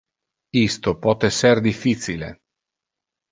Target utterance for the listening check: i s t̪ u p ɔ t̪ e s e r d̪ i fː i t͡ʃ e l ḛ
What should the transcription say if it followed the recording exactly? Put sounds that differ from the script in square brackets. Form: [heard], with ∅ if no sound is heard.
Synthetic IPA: i s t̪ [o] p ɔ t̪ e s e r d̪ i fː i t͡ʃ [i] l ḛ